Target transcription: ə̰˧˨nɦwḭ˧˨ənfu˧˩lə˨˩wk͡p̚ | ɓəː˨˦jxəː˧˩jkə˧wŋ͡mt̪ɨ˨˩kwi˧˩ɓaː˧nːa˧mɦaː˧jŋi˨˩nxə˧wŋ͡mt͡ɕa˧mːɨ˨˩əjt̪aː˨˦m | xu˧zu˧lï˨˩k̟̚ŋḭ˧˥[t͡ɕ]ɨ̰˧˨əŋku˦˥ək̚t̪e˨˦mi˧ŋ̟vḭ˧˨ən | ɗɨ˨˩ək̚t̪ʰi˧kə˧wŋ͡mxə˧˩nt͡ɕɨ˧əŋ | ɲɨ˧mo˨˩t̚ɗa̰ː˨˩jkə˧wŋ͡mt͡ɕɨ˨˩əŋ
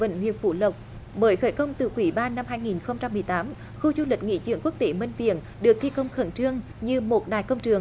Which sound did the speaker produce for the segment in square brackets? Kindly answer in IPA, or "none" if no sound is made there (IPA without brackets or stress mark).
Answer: t͡ɕ